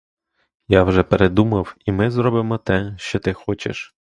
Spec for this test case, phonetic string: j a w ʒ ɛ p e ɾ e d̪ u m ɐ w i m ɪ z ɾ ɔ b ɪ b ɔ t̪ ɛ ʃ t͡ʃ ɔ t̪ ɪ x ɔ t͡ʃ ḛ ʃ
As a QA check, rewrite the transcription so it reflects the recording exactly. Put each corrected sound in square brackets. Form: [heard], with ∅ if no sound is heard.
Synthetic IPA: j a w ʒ ɛ p e ɾ e d̪ u m ɐ w i m ɪ z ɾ ɔ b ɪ [m] ɔ t̪ ɛ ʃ t͡ʃ ɔ t̪ ɪ x ɔ t͡ʃ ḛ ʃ